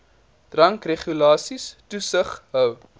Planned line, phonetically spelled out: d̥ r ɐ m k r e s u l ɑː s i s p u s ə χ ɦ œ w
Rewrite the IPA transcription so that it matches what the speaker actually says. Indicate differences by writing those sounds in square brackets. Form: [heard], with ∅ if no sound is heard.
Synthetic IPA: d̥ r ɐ [ŋ] k r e [χ] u l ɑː s i s [t] u s ə χ ɦ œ w